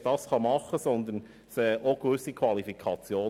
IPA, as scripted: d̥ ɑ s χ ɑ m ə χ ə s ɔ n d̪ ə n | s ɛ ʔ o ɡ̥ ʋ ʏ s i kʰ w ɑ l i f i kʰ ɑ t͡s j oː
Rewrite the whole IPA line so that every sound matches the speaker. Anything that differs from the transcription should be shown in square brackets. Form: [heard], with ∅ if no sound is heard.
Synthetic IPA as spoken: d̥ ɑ s χ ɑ m [ɑ] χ ə s ɔ n d̪ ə n | s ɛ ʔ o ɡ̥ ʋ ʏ s i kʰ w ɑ l i f i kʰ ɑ t͡s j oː